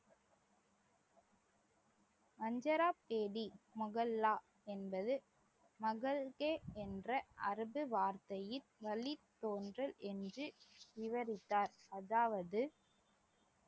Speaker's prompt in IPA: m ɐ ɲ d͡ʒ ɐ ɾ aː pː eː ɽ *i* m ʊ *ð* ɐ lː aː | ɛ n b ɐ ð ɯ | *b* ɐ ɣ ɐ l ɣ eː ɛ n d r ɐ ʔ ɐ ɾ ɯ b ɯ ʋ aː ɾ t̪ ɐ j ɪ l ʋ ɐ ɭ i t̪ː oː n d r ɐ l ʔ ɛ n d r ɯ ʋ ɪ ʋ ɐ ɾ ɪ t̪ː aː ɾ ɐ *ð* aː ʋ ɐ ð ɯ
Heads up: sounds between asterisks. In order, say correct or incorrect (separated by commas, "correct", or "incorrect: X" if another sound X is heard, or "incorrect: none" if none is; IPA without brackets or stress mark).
correct, incorrect: ɣ, incorrect: m, correct